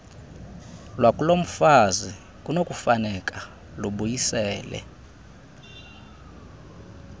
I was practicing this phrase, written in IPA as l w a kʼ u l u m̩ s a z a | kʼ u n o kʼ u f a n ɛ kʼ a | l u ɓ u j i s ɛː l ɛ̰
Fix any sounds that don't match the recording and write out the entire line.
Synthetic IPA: l w a kʼ u l o m̩ f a z i | kʼ u n o kʼ u f a n ɛ kʼ a | l u ɓ u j i s ɛː l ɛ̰